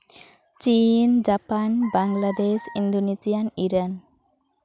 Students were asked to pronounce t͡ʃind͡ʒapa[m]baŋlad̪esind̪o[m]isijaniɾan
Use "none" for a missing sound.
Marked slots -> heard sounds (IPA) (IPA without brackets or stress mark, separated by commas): n, n